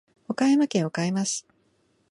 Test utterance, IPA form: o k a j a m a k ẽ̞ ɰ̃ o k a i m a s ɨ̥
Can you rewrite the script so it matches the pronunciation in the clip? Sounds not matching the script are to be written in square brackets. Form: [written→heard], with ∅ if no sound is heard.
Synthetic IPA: o k a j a m a k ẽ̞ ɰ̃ o k a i m a s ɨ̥